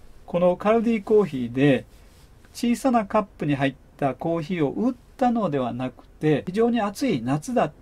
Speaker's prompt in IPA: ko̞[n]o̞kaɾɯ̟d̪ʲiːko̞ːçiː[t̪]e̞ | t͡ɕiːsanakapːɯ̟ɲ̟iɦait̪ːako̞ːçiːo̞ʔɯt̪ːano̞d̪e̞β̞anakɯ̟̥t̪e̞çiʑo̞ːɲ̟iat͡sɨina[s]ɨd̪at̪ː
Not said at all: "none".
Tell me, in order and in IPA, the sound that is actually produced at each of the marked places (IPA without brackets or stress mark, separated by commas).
n, d̪, t͡s